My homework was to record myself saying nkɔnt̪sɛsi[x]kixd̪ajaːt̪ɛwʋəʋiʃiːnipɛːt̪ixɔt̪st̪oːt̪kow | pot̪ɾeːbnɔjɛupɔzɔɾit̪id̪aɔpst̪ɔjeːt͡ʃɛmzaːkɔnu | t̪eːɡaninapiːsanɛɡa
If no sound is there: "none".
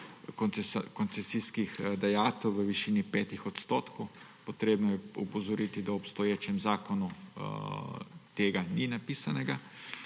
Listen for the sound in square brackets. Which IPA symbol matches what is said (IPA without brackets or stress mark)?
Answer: s